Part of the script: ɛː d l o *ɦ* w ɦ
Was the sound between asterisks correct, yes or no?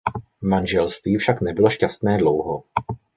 no